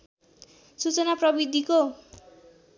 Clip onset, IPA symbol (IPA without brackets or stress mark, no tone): s